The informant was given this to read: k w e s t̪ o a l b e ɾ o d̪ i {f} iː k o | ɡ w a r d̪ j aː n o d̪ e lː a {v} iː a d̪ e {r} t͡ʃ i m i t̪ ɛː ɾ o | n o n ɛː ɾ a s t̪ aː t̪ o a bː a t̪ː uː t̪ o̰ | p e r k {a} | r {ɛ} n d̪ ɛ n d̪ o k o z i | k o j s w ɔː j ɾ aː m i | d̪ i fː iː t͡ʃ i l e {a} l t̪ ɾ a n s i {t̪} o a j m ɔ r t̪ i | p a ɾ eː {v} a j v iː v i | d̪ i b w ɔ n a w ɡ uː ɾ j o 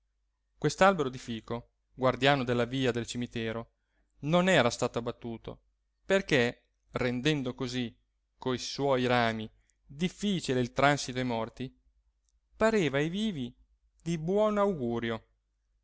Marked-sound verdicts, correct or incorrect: correct, correct, incorrect, incorrect, incorrect, incorrect, correct, correct

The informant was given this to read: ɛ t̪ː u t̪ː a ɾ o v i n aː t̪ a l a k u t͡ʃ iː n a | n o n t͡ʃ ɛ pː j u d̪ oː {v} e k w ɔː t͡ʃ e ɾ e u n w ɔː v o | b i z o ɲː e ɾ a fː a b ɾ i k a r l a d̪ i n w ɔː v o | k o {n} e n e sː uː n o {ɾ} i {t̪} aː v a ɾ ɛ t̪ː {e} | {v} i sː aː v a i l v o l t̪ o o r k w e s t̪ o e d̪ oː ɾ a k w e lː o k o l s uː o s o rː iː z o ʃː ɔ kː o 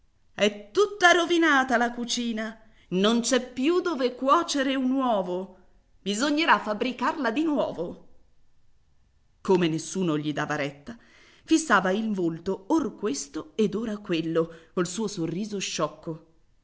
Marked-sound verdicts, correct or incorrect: correct, incorrect, incorrect, incorrect, incorrect, incorrect

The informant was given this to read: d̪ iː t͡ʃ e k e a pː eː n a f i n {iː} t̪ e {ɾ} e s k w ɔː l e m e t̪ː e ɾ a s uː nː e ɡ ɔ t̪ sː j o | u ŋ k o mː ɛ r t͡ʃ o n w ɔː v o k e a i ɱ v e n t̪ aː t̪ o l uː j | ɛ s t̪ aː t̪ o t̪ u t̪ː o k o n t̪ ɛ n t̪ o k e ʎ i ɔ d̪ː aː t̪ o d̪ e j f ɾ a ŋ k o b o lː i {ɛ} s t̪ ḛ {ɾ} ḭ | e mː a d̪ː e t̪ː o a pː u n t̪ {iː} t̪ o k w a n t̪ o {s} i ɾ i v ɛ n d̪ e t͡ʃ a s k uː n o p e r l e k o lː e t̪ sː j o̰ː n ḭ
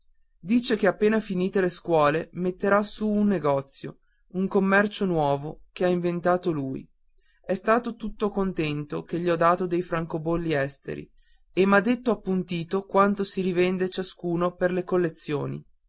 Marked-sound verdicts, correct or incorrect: correct, incorrect, correct, correct, correct, correct

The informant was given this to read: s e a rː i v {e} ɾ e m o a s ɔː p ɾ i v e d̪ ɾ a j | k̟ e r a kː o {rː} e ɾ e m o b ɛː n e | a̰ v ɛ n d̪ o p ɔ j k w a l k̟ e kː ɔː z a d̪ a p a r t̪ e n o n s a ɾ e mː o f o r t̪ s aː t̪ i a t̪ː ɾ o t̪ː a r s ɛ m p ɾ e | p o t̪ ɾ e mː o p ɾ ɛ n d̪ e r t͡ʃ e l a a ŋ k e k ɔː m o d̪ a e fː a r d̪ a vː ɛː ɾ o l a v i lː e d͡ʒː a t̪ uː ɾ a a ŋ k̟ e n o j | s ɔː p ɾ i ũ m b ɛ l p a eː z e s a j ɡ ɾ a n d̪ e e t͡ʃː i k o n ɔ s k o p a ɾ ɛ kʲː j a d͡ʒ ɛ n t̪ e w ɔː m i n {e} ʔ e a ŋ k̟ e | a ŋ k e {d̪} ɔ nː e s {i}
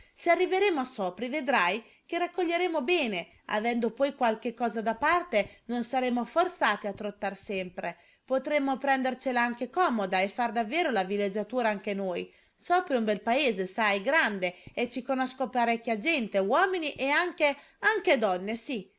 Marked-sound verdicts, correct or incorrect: correct, incorrect, incorrect, correct, correct

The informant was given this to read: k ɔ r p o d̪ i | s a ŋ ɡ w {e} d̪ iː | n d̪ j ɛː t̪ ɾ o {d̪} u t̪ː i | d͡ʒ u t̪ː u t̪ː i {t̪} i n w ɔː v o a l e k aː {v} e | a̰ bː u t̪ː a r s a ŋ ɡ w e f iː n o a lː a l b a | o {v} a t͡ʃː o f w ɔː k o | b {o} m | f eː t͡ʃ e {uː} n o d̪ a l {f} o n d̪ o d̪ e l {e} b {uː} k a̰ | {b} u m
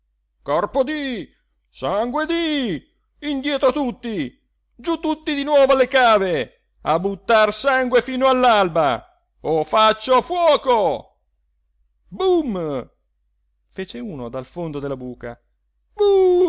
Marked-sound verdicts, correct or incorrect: correct, incorrect, incorrect, correct, incorrect, incorrect, correct, correct, incorrect, correct, correct

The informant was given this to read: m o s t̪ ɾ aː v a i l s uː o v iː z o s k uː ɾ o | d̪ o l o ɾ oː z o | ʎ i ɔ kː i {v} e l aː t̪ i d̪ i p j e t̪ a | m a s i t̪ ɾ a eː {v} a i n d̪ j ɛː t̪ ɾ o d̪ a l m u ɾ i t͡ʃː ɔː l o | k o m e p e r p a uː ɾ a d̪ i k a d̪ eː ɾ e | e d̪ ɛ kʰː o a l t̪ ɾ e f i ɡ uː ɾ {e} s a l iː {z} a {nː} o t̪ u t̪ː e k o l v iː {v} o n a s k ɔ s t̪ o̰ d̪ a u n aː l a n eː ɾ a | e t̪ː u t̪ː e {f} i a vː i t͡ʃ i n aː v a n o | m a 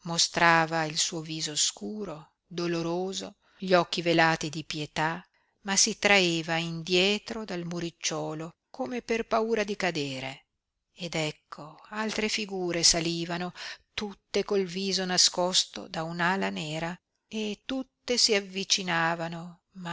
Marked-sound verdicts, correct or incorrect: correct, correct, correct, incorrect, incorrect, incorrect, incorrect

